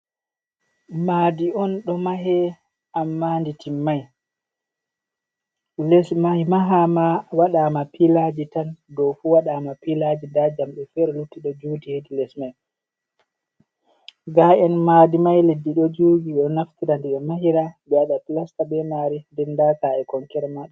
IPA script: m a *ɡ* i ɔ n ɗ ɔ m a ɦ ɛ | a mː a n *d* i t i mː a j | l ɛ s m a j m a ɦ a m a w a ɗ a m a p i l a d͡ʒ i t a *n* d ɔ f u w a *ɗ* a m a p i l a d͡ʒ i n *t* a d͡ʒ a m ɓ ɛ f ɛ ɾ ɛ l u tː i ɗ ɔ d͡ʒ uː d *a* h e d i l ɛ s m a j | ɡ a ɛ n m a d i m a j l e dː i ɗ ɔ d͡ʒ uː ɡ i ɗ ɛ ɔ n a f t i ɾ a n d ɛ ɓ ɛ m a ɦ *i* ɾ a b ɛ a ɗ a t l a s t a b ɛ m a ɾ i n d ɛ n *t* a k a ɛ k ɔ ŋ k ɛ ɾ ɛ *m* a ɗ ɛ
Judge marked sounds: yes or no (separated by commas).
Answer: no, yes, yes, yes, no, no, yes, no, yes